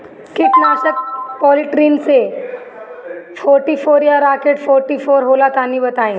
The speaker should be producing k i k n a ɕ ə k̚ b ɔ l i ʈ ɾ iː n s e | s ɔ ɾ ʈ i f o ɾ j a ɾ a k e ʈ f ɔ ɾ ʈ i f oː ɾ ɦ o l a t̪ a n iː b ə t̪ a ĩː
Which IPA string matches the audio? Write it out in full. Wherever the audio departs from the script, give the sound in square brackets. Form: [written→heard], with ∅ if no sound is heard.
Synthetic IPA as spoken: k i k n a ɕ ə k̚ [b→p] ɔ l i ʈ ɾ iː n s e | [s→f] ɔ ɾ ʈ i f o ɾ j a ɾ a k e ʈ f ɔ ɾ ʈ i f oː ɾ ɦ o l a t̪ a n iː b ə t̪ a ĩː